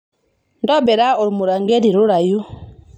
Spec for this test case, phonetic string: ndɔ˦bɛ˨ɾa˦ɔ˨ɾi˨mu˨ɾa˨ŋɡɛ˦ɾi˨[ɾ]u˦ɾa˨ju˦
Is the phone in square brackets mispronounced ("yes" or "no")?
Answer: no